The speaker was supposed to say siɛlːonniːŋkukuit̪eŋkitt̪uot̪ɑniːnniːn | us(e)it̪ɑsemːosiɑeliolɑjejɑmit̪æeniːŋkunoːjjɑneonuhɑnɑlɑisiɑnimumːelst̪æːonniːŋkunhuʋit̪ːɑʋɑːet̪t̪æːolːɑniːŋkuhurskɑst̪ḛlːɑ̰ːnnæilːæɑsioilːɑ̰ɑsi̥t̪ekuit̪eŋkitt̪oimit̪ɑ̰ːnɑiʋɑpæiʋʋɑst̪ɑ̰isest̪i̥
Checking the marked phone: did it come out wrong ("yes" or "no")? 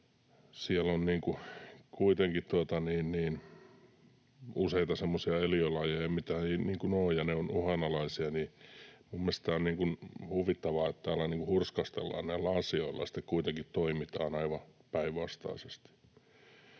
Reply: no